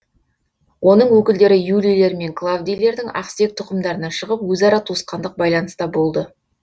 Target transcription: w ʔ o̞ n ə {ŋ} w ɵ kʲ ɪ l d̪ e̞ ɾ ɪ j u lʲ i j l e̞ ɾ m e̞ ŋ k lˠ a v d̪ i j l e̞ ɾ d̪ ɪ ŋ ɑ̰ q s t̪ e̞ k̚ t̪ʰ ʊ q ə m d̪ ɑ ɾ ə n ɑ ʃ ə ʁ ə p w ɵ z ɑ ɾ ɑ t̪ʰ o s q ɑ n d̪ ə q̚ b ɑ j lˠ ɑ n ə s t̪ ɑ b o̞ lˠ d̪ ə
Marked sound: incorrect: ɴ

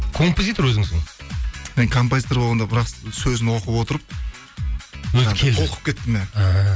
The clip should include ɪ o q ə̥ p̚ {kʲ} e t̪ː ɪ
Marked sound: correct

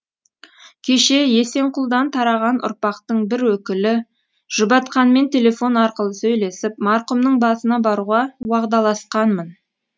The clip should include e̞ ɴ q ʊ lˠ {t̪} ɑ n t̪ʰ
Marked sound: incorrect: d̪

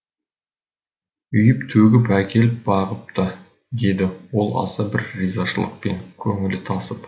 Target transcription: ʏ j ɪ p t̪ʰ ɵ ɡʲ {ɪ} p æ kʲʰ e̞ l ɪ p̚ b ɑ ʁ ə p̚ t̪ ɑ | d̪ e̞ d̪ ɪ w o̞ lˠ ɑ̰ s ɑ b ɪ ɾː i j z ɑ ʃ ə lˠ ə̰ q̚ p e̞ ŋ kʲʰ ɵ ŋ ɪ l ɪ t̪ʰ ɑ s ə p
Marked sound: correct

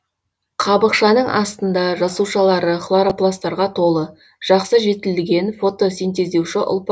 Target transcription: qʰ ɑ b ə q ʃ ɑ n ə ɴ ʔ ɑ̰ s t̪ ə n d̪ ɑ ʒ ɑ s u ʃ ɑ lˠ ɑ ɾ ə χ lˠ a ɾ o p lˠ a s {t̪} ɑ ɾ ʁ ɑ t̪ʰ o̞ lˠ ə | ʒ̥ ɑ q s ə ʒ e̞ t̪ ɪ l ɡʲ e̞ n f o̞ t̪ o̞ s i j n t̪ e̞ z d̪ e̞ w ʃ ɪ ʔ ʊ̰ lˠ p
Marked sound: correct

